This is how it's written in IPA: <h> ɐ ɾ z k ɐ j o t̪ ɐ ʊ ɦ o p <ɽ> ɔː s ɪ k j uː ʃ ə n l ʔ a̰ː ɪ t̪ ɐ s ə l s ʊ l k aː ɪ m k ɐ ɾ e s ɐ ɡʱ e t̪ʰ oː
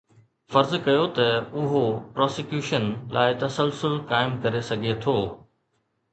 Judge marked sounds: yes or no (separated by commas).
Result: no, no